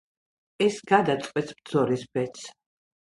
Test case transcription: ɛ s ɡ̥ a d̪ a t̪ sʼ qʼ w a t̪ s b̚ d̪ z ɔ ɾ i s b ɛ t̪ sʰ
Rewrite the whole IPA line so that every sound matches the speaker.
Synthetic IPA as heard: ɛ s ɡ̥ a d̪ a t̪ sʼ qʼ w ɛ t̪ s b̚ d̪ z ɔ ɾ i s b ɛ t̪ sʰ